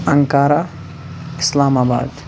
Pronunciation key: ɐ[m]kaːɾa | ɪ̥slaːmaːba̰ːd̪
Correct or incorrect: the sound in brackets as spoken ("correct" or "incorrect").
incorrect